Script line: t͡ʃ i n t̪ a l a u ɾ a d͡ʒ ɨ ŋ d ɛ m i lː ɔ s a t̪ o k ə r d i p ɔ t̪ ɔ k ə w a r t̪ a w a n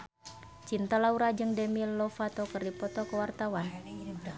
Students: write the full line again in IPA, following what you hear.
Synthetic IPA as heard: t͡ʃ i n t̪ a l a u ɾ a d͡ʒ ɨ ŋ d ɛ m i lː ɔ f a t̪ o k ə r d i p ɔ t̪ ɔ k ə w a r t̪ a w a n